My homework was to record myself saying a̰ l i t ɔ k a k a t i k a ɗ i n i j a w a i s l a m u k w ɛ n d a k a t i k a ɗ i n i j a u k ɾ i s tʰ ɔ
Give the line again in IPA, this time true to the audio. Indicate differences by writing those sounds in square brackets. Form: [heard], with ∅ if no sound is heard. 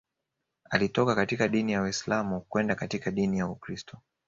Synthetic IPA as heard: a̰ l i t ɔ k a k a t i k a ɗ i n i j a w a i s l a m u k w ɛ n d a k a t i k a ɗ i n i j a u k ɾ i s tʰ ɔ

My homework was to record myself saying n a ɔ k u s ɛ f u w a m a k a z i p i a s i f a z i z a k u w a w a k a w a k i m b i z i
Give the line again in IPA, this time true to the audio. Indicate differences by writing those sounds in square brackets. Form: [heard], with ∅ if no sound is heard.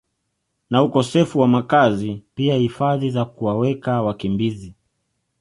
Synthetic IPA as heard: n a [u] k [ɔ] s ɛ f u w a m a k a z i p i a [h] i f a [ð] i z a k u w a w [ɛ] k a w a k i m b i z i

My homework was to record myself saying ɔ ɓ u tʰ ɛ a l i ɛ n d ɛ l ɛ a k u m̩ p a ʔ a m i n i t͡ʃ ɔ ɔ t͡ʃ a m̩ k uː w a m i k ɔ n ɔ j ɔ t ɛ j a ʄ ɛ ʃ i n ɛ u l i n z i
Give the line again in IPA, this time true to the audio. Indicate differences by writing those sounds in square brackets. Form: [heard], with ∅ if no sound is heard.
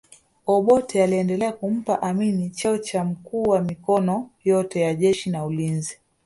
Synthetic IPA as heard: ɔ ɓ [ɔ] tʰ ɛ a l i ɛ n d ɛ l ɛ a k u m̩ p a ʔ a m i n i t͡ʃ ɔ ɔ t͡ʃ a m̩ k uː w a m i k ɔ n ɔ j ɔ t ɛ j a ʄ ɛ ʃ i n [a] u l i n z i

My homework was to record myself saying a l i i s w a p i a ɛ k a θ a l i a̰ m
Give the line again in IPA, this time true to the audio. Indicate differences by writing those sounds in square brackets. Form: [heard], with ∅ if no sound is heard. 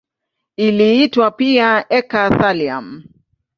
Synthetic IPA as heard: [i] l i i [t] w a p i a ɛ k a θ a l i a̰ m

